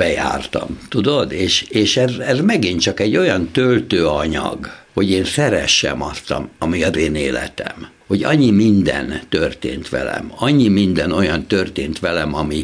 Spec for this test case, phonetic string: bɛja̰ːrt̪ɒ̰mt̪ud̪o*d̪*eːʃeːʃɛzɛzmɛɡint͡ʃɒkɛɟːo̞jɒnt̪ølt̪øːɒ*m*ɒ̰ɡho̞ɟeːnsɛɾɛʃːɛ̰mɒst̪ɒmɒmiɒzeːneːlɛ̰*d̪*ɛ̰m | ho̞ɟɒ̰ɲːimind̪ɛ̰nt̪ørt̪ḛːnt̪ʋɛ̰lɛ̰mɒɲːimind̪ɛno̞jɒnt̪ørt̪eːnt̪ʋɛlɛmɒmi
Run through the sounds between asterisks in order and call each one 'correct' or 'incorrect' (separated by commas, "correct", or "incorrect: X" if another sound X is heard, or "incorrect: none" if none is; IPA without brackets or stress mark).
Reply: correct, incorrect: ɲ, incorrect: t̪